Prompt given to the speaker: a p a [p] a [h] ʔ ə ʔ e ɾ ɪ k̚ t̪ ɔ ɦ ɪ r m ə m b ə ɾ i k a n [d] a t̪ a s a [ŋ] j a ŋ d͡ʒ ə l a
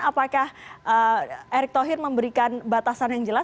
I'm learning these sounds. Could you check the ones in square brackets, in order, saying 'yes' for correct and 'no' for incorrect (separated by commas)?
no, yes, no, no